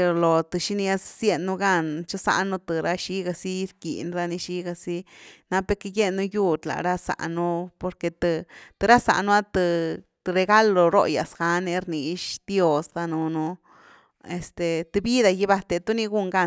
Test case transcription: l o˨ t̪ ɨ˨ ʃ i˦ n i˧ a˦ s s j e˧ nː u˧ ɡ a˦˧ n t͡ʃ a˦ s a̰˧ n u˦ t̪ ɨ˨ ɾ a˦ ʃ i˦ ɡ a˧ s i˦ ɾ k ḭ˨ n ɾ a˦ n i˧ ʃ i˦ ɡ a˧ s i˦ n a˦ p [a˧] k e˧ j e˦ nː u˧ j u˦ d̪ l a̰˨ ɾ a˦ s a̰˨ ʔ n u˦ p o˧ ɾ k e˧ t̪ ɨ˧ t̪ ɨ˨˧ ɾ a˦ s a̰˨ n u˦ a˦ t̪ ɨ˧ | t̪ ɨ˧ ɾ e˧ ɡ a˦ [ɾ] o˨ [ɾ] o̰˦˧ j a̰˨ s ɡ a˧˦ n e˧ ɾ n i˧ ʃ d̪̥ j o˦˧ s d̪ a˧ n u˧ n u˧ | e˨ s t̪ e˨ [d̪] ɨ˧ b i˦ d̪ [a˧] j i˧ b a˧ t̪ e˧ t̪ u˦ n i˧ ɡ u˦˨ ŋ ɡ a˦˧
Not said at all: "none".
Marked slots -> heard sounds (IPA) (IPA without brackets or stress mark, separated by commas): e˧, l, ɾ, t̪, a˧